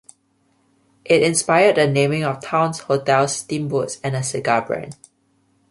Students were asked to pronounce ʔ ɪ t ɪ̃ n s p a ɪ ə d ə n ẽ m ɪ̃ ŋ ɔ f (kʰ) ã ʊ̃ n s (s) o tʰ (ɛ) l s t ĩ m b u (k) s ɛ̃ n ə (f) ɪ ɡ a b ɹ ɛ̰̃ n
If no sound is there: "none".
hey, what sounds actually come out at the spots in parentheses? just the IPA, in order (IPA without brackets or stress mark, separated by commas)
tʰ, h, ɛ, t, s